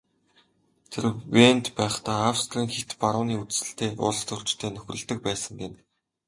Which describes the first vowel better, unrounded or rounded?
unrounded